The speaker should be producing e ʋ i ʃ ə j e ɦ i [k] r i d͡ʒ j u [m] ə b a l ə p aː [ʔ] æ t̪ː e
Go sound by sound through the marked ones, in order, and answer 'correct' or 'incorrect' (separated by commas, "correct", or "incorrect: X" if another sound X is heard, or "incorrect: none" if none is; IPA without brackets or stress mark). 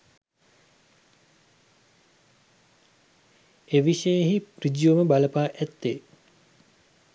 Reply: incorrect: p, correct, correct